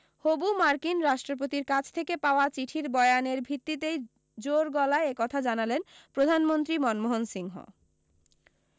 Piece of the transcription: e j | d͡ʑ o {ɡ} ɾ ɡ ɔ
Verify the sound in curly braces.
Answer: incorrect: none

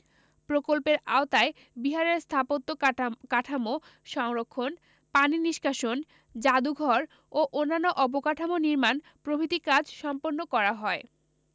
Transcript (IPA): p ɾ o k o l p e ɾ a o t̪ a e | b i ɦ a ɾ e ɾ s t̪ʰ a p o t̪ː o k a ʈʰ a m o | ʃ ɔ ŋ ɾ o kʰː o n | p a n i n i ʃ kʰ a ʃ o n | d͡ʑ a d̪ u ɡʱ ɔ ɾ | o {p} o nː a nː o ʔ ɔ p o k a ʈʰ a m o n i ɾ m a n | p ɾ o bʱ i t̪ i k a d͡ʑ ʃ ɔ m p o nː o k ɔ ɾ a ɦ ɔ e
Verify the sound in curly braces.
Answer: incorrect: ʔ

